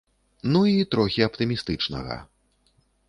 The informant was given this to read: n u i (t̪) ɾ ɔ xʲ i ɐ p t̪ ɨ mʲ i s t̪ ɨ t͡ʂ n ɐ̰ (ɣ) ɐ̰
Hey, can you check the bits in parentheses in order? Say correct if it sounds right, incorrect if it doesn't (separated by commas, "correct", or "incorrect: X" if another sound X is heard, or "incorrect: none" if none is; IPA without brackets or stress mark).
correct, correct